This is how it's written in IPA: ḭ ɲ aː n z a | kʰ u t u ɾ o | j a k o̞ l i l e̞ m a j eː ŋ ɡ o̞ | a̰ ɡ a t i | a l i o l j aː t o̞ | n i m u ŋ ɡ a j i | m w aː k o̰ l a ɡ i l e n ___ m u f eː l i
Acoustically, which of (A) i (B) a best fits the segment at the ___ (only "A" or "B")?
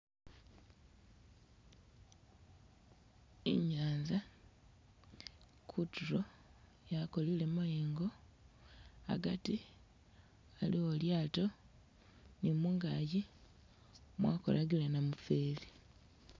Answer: B